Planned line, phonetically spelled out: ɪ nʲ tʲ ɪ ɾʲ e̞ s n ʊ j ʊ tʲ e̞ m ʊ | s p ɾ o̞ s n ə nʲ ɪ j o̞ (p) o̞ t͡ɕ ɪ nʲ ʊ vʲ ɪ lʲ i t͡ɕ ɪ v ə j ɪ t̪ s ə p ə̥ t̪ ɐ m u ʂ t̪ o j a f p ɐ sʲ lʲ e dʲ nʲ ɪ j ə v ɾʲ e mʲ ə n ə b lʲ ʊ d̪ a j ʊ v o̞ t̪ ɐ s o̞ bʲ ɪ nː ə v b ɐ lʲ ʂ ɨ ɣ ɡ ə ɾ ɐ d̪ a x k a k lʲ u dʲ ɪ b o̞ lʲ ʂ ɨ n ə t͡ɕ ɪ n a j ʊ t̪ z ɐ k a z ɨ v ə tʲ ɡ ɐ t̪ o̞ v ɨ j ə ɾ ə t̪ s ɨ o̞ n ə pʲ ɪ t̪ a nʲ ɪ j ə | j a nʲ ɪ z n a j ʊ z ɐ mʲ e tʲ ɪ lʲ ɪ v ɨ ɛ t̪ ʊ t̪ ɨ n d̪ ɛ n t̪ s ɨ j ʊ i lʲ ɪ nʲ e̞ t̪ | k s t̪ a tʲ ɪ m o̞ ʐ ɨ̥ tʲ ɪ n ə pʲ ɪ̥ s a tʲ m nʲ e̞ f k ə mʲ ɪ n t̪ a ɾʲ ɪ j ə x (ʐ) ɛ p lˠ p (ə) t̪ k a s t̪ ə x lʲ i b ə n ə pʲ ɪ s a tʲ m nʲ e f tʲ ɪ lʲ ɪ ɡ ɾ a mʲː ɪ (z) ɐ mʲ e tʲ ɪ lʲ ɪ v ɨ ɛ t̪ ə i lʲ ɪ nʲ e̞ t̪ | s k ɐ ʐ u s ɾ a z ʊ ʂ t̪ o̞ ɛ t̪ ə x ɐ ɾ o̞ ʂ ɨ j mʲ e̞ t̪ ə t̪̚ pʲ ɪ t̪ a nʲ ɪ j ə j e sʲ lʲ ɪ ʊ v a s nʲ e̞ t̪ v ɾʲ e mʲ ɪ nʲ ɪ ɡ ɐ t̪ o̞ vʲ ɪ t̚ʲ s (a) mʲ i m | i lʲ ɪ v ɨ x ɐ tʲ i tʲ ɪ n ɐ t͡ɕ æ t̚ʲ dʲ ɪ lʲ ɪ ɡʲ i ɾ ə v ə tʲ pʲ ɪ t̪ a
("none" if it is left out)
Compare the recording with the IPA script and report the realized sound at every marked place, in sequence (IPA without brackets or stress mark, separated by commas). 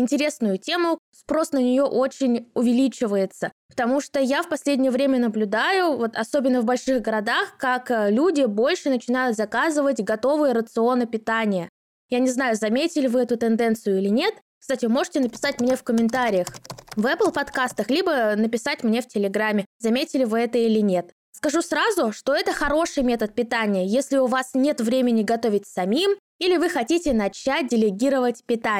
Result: ʔ, v, ɐ, z, ɐ